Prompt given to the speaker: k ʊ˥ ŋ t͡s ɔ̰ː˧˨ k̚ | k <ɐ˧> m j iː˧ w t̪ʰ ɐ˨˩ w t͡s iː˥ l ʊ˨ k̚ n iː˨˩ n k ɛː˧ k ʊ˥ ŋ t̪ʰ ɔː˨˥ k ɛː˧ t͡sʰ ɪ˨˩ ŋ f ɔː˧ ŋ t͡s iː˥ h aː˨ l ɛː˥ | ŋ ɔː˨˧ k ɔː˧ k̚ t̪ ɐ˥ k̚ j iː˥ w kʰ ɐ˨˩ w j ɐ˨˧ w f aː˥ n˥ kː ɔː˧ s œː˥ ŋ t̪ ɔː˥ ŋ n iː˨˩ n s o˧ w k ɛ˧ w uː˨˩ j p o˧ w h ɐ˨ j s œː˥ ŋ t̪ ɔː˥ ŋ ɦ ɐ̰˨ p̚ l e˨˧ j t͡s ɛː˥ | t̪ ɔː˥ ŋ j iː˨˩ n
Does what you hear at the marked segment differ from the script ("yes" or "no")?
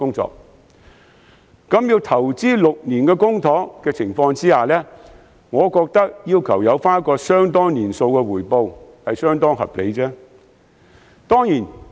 yes